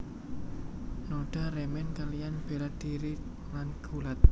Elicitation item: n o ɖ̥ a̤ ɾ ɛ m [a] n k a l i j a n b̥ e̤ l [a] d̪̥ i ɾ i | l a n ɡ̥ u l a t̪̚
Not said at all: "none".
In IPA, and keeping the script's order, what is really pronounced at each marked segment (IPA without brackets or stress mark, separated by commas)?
ɛ, a